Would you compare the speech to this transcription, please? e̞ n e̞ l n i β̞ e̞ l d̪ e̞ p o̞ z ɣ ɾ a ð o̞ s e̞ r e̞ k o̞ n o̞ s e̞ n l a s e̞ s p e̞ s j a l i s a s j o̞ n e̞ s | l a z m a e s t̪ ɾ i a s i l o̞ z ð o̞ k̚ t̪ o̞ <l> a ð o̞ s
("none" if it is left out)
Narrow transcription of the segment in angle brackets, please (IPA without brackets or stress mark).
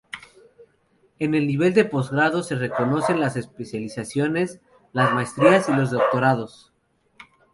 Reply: ɾ